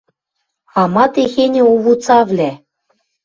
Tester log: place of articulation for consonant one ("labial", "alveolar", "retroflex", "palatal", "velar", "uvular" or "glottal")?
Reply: labial